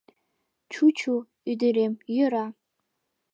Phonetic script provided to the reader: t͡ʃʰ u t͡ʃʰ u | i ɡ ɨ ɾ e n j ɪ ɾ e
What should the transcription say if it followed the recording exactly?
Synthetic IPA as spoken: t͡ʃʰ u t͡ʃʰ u | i d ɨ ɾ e m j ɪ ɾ a